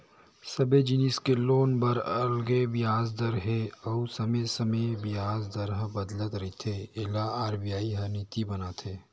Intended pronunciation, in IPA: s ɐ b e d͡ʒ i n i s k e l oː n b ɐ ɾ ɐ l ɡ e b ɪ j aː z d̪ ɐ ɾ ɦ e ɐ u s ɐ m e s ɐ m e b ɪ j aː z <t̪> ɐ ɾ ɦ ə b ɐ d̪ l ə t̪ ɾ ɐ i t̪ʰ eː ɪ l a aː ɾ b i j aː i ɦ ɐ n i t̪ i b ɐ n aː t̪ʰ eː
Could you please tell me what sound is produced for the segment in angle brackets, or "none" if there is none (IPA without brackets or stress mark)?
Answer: d̪